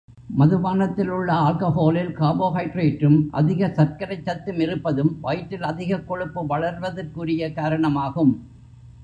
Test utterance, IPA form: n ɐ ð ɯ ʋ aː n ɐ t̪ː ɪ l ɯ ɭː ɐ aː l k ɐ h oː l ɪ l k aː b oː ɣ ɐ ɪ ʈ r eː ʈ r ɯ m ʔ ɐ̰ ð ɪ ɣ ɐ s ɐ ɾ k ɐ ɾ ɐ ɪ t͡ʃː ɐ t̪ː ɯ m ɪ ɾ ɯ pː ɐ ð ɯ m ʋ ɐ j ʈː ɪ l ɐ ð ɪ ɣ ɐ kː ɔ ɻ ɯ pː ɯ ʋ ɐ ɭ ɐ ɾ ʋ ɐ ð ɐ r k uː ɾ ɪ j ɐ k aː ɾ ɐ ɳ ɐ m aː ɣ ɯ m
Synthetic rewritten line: m ɐ ð ɯ ʋ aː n ɐ t̪ː ɪ l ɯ ɭː ɐ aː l k ɐ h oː l ɪ l k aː b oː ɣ ɐ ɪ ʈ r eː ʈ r ɯ m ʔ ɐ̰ ð ɪ ɣ ɐ s ɐ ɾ k ɐ ɾ ɐ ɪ t͡ʃː ɐ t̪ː ɯ m ɪ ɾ ɯ pː ɐ ð ɯ m ʋ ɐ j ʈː ɪ l ɐ ð ɪ ɣ ɐ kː ɔ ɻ ɯ pː ɯ ʋ ɐ ɭ ɐ ɾ ʋ ɐ ð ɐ r k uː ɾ ɪ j ɐ k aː ɾ ɐ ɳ ɐ m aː ɣ ɯ m